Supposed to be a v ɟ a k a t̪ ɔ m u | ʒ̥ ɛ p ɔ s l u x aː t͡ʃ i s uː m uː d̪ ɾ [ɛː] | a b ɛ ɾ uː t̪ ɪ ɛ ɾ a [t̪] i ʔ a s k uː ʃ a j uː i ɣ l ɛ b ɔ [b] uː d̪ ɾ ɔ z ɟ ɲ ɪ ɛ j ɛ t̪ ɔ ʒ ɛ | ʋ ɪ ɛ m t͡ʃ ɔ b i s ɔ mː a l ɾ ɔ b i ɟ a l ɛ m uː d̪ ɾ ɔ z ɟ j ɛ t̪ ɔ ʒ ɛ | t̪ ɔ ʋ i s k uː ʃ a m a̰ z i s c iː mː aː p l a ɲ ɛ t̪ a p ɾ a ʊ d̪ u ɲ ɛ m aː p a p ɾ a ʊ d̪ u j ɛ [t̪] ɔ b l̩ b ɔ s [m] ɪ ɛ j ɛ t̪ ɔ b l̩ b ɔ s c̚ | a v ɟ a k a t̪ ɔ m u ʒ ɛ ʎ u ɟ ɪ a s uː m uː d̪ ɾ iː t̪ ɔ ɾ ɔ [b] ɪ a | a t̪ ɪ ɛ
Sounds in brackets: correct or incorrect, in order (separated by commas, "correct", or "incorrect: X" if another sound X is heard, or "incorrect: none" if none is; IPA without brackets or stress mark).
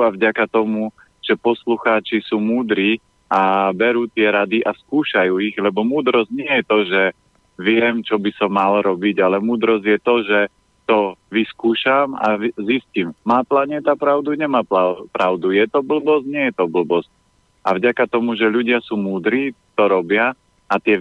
incorrect: iː, incorrect: d̪, incorrect: m, correct, incorrect: ɲ, correct